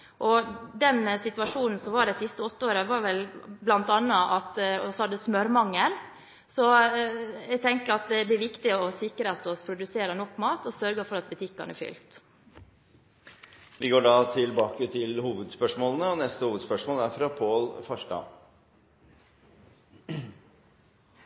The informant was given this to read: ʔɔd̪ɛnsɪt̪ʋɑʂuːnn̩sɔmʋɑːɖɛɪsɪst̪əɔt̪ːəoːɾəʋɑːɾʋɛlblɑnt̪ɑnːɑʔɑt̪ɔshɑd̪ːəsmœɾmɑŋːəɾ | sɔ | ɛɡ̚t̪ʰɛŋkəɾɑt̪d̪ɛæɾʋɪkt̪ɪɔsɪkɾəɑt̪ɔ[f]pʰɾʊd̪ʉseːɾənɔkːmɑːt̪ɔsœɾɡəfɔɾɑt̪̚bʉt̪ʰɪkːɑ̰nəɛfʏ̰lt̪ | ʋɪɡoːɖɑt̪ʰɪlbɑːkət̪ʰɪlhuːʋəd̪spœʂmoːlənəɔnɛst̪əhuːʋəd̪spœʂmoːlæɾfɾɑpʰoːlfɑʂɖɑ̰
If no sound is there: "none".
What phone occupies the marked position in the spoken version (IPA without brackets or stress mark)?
s